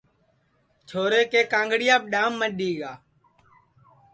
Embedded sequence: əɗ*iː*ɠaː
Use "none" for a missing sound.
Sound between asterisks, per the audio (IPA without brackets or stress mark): iː